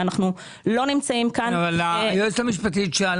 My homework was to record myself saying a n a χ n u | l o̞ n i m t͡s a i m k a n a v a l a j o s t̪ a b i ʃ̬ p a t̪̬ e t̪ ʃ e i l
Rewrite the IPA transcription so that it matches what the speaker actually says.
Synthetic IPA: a n a χ n u | l o̞ n i m t͡s a i m k a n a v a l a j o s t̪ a m i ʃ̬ p a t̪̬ i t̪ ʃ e a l